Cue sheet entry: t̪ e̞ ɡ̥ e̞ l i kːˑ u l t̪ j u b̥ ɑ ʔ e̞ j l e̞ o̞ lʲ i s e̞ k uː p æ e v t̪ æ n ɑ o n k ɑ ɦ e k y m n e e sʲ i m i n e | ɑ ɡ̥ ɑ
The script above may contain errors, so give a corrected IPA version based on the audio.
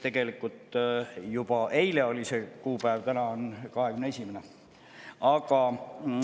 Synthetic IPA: t̪ e̞ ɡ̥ e̞ l i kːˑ u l t̪ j u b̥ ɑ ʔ e̞ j l e̞ o̞ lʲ i s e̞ k uː p æ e v t̪ æ n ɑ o n k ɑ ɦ e k y m n e e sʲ i m e n e | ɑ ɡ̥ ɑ

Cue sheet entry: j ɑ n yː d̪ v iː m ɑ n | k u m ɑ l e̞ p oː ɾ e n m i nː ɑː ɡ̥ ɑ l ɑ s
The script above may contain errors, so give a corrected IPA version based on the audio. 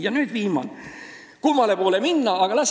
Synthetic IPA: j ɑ n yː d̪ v iː m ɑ n | k u m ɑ l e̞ p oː l e m i nː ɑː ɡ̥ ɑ l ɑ s

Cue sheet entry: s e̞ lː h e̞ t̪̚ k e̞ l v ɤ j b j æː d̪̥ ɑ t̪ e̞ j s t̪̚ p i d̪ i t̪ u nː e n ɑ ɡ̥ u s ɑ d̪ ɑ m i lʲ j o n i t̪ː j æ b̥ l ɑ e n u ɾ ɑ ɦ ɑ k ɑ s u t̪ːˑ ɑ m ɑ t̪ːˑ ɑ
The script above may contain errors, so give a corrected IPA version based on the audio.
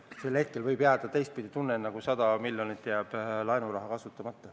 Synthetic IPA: s e̞ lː h e̞ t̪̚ k e̞ l v ɤ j b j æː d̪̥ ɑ t̪ e̞ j s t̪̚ p i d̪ i t̪ u nː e n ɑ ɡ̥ u s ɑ d̪ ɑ m i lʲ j o n i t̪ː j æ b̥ l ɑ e n u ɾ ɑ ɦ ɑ k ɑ s u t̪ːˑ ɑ m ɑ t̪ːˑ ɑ

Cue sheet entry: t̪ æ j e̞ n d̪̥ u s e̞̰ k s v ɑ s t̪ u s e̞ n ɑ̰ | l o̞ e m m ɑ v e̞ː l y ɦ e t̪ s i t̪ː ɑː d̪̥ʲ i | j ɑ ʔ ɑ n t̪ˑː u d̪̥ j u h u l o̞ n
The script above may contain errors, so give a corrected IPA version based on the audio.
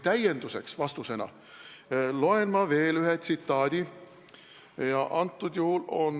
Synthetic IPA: t̪ æ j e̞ n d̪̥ u s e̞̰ k s v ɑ s t̪ u s e̞ n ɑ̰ | l o̞ e n m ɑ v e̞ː l y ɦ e t̪ s i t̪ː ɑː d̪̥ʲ i | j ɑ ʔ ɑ n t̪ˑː u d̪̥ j u h u l o̞ n

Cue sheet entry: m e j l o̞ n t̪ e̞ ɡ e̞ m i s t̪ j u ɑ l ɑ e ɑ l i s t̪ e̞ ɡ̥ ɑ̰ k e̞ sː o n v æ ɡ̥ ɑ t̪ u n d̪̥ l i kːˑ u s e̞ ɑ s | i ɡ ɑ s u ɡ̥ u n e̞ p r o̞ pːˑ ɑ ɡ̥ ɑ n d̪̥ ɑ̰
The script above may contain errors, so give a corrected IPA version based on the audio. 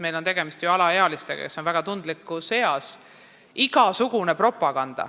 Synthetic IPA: m e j l o̞ n t̪ e̞ ɡ e̞ m i s t̪ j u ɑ l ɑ e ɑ l i s t̪ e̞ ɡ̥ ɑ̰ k e̞ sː o n v æ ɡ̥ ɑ t̪ u n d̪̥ l i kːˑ u s e̞ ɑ s | i ɡ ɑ s u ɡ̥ u n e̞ p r o̞ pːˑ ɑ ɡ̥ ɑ n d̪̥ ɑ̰

